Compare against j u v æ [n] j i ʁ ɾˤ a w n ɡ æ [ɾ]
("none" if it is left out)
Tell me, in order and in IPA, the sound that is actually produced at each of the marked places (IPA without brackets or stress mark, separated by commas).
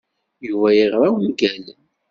none, l